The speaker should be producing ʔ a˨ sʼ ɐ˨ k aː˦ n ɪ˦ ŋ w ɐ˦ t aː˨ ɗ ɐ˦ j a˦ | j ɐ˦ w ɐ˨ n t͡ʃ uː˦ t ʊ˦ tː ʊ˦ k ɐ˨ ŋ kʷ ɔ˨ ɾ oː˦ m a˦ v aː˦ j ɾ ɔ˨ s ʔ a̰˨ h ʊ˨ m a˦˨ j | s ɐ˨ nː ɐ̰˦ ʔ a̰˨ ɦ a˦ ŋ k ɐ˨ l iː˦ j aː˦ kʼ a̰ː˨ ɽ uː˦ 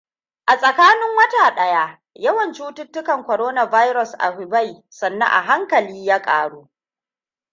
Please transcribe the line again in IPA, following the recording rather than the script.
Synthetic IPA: ʔ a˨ sʼ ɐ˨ k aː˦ n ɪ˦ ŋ w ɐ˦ t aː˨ ɗ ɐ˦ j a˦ | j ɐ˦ w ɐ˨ n t͡ʃ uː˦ t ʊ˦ tː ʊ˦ k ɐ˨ ŋ kʷ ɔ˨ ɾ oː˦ n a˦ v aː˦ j ɾ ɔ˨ s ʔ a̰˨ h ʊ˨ b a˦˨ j | s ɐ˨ nː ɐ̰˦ ʔ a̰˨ ɦ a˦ ŋ k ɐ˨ l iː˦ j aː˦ kʼ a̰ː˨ ɽ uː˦